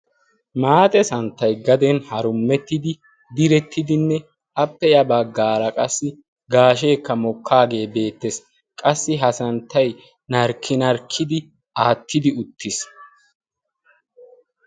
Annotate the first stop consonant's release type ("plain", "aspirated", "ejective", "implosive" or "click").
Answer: ejective